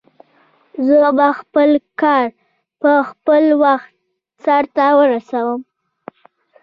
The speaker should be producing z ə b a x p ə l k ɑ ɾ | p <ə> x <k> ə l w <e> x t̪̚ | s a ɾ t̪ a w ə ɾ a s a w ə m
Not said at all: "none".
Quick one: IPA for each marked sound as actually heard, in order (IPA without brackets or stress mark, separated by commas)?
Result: ə, p, a